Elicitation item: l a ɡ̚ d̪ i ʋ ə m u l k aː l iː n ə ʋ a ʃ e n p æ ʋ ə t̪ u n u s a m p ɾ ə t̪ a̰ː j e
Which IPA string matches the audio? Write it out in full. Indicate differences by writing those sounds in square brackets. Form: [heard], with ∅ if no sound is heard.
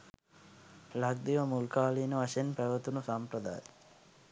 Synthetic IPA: l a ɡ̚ d̪ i ʋ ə m u l k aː l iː n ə ʋ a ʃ e n p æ ʋ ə t̪ u n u s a m p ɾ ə [d̪] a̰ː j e